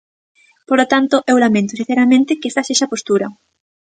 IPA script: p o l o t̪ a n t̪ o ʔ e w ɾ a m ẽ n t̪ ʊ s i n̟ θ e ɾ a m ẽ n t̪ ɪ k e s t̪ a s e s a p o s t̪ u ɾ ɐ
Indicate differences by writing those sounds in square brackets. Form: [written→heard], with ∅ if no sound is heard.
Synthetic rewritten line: p o l o t̪ a n t̪ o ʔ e w [ɾ→l] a m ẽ n t̪ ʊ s i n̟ θ e ɾ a m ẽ n t̪ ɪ k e s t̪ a s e [s→ʃ] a p o s t̪ u ɾ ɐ